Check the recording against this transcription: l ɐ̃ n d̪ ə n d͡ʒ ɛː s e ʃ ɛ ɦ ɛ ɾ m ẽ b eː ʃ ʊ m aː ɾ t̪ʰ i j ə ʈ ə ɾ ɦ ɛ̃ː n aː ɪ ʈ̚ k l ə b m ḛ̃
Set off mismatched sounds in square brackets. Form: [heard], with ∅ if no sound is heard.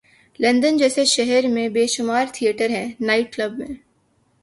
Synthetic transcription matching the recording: l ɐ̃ n d̪ ə n d͡ʒ ɛː s e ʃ ɛ ɦ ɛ ɾ m ẽ b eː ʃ ʊ m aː ɾ t̪ʰ i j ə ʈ ə ɾ ɦ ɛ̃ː n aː ɪ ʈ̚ k l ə b m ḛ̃